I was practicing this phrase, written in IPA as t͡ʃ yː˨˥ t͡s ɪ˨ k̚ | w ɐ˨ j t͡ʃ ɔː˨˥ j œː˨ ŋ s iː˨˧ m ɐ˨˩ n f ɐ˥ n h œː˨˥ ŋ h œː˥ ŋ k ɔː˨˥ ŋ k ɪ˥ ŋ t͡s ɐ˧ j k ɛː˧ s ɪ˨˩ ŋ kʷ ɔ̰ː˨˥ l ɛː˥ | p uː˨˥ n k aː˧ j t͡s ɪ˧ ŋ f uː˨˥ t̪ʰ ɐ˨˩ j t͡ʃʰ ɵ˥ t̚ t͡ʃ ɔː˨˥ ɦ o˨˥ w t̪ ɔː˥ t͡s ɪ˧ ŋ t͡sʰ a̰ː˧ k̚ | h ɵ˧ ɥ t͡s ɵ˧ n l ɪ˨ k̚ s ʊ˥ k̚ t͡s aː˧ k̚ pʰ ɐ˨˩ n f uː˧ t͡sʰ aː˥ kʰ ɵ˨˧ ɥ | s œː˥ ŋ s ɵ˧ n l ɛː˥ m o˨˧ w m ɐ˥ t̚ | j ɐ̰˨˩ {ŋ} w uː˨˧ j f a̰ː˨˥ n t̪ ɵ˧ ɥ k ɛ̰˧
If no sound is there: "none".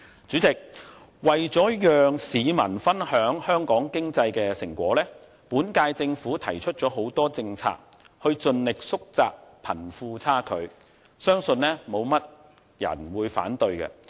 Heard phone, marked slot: n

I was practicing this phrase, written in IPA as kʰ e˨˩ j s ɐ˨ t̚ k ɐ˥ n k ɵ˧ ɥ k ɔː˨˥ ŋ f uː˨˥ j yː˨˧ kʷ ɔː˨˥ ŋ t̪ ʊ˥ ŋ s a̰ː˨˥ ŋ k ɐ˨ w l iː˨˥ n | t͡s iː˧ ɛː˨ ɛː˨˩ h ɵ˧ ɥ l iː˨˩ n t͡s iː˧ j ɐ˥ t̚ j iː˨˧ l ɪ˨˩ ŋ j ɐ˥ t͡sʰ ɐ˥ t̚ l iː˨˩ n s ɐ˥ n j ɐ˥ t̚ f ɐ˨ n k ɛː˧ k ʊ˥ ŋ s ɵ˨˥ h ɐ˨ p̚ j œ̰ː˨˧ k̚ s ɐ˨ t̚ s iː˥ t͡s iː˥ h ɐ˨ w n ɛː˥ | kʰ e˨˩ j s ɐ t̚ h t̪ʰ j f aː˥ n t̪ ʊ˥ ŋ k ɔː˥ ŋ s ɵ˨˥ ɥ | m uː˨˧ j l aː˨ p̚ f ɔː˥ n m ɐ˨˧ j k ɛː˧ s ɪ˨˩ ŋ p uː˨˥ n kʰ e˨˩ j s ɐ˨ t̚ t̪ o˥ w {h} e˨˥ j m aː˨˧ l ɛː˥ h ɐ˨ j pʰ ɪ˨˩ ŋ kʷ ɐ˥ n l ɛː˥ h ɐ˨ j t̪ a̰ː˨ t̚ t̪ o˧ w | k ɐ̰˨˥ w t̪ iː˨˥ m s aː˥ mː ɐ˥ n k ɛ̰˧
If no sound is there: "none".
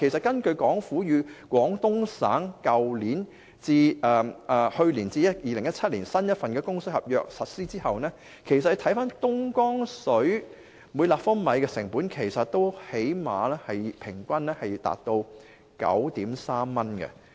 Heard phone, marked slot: h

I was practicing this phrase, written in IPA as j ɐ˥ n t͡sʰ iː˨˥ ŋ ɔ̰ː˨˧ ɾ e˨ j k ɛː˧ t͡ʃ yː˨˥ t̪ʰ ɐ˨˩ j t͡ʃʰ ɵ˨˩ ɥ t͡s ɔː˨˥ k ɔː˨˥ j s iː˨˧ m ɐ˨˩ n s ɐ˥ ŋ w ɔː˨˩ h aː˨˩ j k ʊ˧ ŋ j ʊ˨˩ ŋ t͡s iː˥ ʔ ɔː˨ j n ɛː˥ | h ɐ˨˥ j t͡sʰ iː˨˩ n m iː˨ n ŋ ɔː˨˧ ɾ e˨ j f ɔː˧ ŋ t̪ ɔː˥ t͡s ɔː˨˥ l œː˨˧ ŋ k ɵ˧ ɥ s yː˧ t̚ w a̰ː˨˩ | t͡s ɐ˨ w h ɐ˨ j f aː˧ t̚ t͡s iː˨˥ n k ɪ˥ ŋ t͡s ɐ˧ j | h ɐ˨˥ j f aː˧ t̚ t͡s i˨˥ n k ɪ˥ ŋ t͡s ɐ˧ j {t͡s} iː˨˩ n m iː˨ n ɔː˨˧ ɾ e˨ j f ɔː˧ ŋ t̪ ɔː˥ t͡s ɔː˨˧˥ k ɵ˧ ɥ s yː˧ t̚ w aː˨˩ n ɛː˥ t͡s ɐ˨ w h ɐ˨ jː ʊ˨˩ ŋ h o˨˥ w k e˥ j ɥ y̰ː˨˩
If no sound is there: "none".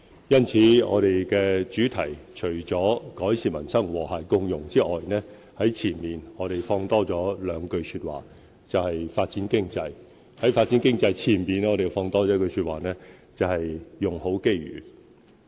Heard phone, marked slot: t͡sʰ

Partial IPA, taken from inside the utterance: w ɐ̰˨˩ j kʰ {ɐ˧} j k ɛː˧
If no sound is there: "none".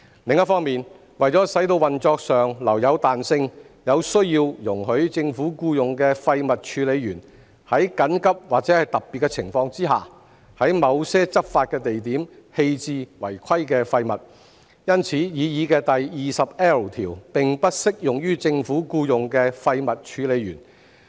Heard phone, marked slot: ɐ˥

